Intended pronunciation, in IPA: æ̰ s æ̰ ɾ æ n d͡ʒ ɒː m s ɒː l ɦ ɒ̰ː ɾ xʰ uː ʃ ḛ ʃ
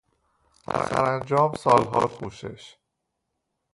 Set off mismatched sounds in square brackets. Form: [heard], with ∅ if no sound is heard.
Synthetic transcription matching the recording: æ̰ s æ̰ ɾ æ n d͡ʒ ɒː m s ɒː l ɦ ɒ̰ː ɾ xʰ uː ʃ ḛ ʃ